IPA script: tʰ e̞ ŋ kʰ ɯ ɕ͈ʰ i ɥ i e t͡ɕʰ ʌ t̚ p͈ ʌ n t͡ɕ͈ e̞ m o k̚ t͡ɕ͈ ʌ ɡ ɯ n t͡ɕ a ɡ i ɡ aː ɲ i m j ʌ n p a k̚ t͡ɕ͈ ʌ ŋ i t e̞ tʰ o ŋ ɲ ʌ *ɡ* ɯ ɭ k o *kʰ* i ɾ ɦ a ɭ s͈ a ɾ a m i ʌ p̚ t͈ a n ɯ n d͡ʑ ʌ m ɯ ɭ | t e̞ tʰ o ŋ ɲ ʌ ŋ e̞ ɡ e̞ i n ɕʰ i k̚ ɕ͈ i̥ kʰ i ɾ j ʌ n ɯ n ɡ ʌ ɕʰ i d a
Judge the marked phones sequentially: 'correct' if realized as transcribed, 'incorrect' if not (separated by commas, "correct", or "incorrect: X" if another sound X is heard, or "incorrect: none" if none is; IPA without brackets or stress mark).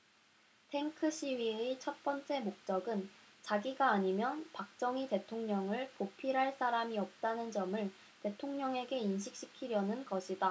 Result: incorrect: ŋ, incorrect: pʰ